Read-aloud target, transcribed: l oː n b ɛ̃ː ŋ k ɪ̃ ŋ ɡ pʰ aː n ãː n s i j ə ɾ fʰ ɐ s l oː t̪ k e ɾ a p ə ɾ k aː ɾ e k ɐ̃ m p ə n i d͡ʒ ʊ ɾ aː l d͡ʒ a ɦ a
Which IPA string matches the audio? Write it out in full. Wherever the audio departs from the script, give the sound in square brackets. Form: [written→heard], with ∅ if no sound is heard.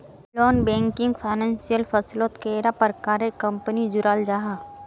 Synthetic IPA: l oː n b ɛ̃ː ŋ k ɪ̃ ŋ ɡ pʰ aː n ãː n s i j ə [ɾ→l] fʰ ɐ s l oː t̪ k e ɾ a p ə ɾ k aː ɾ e k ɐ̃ m p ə n i d͡ʒ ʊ ɾ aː l d͡ʒ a ɦ a